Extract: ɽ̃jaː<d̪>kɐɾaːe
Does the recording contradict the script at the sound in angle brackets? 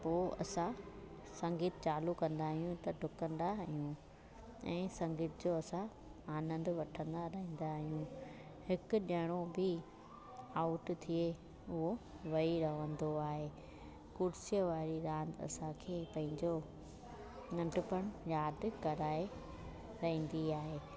no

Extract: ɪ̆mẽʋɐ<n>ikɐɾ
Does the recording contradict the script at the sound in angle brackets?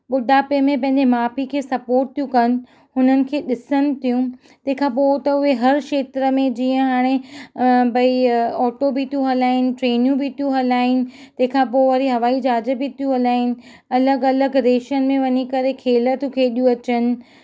yes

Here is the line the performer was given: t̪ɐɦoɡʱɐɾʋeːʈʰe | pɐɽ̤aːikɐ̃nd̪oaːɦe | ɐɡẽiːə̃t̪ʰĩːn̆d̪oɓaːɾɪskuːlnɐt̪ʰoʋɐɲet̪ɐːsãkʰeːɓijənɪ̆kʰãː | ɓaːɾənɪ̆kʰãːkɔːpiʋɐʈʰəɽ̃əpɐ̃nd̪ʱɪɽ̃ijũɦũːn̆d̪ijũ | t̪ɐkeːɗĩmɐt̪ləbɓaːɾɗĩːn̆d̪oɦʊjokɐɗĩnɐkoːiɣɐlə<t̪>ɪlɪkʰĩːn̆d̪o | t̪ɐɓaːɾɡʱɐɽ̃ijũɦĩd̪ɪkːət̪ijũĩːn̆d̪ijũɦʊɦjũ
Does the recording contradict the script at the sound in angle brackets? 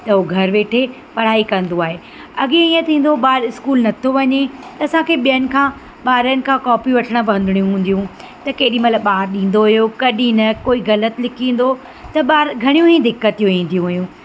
no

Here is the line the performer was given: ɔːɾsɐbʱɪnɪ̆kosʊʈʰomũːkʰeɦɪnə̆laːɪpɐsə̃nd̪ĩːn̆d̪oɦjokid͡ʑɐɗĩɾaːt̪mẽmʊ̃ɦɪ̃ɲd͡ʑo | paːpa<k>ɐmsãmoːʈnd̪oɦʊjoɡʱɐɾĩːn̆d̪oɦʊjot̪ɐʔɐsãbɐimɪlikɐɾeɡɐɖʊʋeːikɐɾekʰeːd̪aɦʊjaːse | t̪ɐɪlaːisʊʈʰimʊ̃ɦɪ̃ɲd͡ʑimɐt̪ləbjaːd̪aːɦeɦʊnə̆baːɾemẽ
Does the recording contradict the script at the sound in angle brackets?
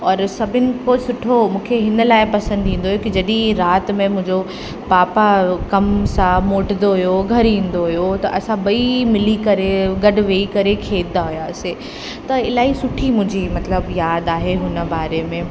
no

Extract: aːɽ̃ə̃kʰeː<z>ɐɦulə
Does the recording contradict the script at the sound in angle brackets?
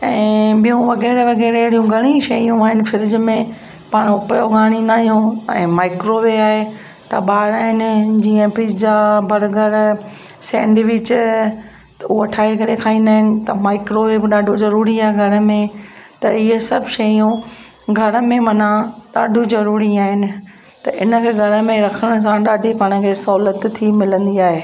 yes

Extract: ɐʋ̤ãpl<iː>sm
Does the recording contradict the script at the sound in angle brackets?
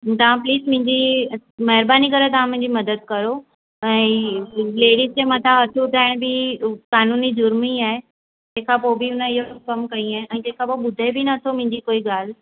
no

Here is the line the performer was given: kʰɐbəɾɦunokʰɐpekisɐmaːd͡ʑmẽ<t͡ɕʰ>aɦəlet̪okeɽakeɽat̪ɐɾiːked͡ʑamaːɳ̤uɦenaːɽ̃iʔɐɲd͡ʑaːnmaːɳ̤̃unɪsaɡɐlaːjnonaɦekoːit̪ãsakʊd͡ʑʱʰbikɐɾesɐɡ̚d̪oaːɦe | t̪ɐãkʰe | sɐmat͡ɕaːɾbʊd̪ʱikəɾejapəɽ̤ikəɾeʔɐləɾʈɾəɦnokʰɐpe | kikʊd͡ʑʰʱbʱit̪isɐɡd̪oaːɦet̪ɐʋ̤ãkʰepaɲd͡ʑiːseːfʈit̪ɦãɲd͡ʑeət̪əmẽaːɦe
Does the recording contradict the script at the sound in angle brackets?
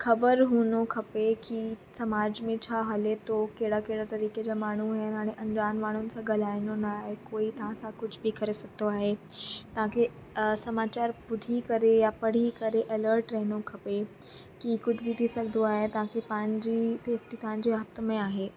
no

